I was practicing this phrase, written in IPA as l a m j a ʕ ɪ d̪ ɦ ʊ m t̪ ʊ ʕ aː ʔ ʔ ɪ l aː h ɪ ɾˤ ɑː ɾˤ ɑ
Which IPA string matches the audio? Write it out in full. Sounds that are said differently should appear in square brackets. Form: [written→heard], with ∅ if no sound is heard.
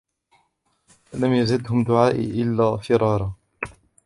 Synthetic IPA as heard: l a m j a [ʕ→z] ɪ d̪ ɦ ʊ m [t̪→d̪] ʊ ʕ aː ʔ ʔ ɪ [l→lː] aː [h→f] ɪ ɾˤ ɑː ɾˤ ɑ